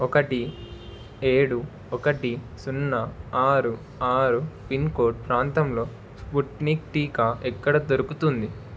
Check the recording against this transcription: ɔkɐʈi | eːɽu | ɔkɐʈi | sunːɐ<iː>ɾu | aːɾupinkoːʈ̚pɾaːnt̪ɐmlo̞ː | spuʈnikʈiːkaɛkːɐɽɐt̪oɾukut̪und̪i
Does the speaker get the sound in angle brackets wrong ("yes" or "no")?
yes